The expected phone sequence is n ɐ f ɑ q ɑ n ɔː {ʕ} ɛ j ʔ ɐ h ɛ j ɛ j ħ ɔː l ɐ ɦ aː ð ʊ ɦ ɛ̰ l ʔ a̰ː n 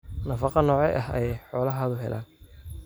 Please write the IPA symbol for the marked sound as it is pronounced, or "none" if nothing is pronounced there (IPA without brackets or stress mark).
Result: ʕ